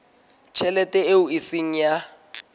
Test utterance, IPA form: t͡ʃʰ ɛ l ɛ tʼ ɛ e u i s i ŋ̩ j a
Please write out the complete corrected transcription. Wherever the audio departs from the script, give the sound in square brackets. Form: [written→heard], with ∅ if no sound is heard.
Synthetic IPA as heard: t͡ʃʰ ɛ l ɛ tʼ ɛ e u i s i ŋ̩ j a